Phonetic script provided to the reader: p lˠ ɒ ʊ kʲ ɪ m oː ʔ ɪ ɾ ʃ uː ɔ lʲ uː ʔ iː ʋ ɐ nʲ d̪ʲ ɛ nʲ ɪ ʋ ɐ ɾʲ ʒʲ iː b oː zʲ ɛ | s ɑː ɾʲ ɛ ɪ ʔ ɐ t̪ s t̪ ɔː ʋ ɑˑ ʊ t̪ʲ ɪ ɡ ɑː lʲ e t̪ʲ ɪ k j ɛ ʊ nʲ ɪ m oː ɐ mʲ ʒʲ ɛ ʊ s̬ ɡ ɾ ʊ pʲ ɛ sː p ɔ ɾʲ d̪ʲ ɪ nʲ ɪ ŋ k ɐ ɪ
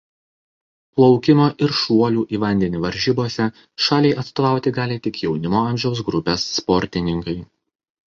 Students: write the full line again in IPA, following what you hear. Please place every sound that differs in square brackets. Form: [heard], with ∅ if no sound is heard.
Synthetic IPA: p lˠ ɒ ʊ kʲ ɪ m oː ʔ ɪ ɾ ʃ [u] ɔ lʲ uː ʔ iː ʋ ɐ nʲ d̪ʲ ɛ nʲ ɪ ʋ ɐ ɾʲ ʒʲ iː b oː [sʲ] ɛ | [ʃ] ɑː [lʲ] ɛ ɪ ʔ ɐ t̪ s t̪ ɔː ʋ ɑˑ ʊ t̪ʲ ɪ ɡ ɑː lʲ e t̪ʲ ɪ k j ɛ ʊ nʲ ɪ m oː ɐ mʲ ʒʲ ɛ ʊ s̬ ɡ ɾ ʊ pʲ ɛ sː p ɔ ɾʲ [t̪ʲ] ɪ nʲ ɪ ŋ k ɐ ɪ